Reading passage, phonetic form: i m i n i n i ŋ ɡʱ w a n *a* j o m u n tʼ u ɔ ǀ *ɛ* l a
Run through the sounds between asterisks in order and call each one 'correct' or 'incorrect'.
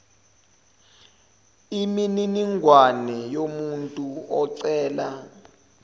incorrect: ɛ, incorrect: ɛː

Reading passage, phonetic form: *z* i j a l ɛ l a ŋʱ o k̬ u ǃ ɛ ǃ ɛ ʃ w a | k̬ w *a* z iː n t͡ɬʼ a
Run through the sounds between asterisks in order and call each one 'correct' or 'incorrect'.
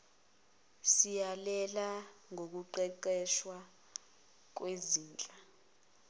incorrect: s, incorrect: e

